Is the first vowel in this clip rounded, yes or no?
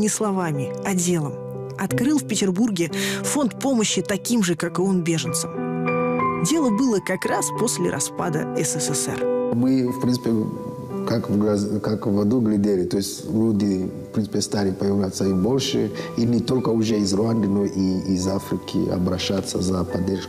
no